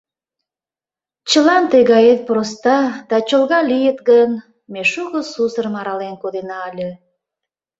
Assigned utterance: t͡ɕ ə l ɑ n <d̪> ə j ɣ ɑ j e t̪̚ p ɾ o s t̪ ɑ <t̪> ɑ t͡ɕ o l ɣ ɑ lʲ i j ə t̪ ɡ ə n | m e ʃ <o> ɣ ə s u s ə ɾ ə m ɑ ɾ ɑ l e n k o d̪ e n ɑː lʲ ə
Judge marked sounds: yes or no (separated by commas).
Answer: no, no, no